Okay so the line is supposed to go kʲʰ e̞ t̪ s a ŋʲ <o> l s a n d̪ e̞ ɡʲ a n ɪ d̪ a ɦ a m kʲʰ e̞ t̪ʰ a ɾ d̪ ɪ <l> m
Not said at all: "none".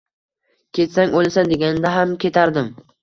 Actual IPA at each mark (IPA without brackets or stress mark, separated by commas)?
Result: o, none